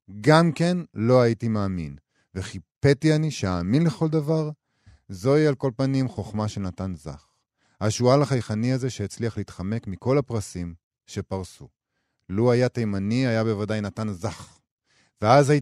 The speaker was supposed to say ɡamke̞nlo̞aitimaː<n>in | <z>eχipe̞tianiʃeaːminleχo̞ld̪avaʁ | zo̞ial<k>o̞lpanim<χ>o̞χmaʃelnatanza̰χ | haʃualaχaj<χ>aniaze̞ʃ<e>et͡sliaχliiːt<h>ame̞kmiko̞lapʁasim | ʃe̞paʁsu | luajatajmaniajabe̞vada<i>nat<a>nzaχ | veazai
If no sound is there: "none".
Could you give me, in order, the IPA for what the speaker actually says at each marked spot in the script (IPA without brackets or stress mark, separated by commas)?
m, v, k, χ, χ, e, χ, j, a